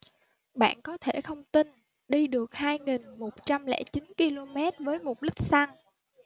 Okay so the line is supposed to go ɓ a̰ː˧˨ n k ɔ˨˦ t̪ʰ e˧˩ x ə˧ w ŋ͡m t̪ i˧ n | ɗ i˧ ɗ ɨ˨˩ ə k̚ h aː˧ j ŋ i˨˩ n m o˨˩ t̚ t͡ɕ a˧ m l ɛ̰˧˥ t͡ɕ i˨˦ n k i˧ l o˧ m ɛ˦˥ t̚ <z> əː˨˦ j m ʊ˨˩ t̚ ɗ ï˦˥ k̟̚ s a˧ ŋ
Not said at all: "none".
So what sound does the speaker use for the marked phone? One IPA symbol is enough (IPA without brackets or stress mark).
v